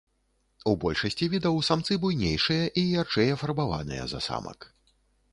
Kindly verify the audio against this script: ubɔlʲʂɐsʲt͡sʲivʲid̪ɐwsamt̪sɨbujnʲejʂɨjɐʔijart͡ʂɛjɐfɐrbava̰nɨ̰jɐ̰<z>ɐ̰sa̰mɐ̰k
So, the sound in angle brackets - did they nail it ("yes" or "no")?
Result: yes